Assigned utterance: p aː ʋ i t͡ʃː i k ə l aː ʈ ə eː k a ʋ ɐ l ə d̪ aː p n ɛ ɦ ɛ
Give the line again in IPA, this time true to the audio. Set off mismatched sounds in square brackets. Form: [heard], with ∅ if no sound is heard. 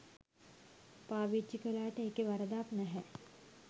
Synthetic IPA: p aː ʋ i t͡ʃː i k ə l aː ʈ ə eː k [e] ʋ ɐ [ɾ] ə d̪ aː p n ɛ ɦ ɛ